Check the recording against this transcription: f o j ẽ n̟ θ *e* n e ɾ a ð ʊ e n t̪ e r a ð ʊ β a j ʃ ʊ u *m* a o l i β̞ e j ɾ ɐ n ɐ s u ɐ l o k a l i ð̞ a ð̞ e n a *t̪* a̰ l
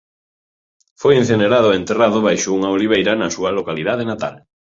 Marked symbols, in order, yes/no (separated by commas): yes, no, yes